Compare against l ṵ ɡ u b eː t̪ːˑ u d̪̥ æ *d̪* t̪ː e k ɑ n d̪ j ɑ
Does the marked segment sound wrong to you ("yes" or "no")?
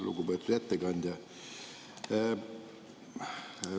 yes